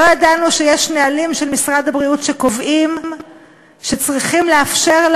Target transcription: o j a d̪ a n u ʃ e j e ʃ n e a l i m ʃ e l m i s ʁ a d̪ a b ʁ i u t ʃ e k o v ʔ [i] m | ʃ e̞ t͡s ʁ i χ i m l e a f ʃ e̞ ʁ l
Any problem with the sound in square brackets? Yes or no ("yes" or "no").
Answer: no